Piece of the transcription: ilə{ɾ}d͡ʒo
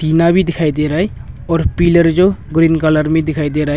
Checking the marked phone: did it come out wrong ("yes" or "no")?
no